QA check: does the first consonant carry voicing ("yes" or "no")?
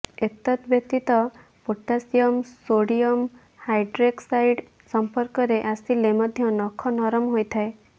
no